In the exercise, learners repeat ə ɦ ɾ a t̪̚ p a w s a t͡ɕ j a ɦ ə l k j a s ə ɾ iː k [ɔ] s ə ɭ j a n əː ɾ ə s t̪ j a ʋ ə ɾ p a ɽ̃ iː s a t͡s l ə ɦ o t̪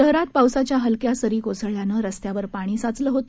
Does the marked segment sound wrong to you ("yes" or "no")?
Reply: yes